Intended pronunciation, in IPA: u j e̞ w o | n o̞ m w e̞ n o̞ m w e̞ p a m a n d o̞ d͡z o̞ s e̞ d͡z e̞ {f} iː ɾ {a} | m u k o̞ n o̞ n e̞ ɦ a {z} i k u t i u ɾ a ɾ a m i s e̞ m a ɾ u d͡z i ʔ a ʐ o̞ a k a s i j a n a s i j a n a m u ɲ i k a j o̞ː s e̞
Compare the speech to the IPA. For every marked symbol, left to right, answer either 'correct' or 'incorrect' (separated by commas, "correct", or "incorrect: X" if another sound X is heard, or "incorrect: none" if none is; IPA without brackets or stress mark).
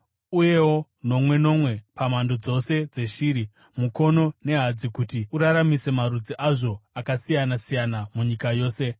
incorrect: ʃ, incorrect: i, incorrect: d͡z